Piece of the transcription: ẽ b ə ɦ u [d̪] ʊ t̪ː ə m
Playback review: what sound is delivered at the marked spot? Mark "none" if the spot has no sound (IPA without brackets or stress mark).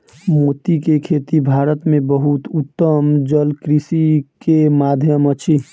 t̪